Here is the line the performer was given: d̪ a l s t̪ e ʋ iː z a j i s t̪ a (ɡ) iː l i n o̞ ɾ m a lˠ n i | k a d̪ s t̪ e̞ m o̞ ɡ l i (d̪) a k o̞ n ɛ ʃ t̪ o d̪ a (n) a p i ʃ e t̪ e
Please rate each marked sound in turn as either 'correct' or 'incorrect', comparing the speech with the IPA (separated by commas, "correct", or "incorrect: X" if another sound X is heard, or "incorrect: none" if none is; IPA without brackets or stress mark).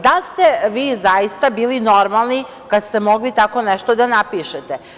incorrect: b, incorrect: t̪, correct